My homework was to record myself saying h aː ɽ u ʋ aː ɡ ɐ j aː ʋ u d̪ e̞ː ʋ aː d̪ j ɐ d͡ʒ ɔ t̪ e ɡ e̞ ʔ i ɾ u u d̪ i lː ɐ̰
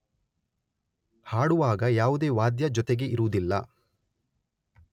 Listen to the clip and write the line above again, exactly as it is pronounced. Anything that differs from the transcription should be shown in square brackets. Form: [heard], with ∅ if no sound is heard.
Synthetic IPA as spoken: h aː ɽ u ʋ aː ɡ ɐ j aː ʋ u d̪ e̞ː ʋ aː d̪ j ɐ d͡ʒ ɔ t̪ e ɡ e̞ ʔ i ɾ u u d̪ i lː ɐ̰